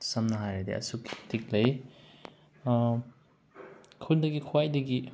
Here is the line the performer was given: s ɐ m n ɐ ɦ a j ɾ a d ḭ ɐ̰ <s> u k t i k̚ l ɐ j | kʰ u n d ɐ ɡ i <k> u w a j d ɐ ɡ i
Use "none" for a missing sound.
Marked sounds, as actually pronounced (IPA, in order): s, kʰ

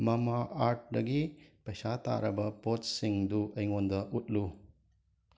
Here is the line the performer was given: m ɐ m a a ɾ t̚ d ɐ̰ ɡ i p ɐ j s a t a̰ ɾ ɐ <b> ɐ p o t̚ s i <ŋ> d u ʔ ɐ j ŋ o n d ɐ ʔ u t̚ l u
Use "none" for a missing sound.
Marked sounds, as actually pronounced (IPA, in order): b, ŋ

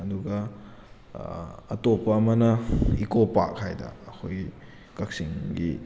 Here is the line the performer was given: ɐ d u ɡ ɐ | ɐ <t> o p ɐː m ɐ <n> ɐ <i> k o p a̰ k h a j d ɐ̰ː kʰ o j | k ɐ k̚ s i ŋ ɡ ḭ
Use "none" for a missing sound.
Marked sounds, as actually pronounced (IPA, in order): t, n, i

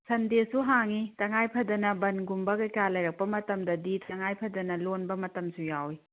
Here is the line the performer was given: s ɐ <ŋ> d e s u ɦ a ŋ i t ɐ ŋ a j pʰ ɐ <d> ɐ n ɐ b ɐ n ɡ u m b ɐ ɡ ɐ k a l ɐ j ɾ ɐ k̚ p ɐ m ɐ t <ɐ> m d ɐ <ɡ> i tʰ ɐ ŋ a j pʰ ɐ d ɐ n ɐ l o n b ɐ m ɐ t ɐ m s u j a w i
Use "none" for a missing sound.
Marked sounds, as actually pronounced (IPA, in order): n, d, ɐ, d

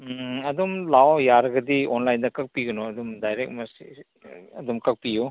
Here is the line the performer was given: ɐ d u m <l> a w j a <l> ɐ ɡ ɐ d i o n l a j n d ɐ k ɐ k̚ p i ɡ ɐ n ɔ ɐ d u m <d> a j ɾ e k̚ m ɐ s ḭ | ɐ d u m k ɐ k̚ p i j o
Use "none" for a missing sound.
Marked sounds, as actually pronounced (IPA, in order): l, ɾ, d

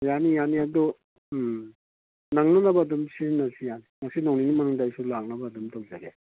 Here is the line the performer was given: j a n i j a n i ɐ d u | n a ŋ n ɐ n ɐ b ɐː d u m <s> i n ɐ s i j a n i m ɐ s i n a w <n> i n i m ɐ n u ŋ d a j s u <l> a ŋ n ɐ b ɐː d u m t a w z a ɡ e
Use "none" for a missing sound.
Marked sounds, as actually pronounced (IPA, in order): s, n, l

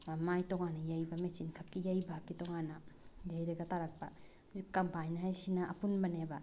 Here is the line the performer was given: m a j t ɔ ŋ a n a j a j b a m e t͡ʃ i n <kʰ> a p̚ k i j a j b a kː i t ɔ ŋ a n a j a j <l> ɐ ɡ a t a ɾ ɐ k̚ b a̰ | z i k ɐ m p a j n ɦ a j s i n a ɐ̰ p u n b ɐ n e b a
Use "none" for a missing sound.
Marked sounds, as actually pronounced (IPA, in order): kʰ, ɾ

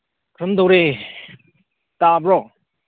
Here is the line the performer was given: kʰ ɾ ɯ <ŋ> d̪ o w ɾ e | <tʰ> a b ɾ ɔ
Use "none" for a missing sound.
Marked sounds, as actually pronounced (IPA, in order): m, t

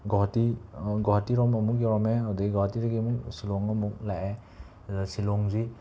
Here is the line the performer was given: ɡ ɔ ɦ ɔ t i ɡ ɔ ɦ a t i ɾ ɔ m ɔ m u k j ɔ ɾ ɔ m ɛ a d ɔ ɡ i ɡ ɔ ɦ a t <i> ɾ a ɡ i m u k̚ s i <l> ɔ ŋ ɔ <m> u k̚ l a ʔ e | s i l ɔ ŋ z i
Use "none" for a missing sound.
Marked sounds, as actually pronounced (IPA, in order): i, l, m

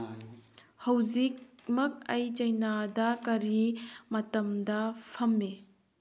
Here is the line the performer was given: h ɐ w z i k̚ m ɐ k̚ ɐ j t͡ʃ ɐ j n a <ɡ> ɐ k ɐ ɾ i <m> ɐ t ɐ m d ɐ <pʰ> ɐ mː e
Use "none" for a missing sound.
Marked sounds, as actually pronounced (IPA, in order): d, m, pʰ

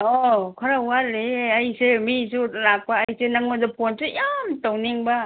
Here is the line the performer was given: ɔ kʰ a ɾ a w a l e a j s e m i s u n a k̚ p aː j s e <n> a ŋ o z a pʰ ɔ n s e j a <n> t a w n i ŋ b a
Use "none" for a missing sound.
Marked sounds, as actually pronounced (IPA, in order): n, m

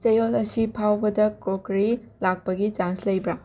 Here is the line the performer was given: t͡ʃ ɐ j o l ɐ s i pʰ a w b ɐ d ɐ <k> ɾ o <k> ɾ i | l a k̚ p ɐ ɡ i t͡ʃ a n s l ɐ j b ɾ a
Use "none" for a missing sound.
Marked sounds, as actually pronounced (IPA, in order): k, k

